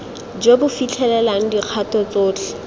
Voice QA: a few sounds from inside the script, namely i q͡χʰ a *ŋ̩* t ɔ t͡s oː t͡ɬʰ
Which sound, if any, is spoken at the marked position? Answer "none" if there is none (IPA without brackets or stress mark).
none